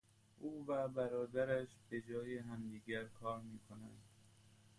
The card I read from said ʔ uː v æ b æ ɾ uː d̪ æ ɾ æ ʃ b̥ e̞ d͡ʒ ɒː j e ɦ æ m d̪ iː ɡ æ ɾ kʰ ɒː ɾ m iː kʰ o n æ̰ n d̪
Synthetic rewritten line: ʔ uː v æ b æ ɾ ɒː d̪ æ ɾ æ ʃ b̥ e̞ d͡ʒ ɒː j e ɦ æ m d̪ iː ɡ æ ɾ kʰ ɒː ɾ m iː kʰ o n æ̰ n d̪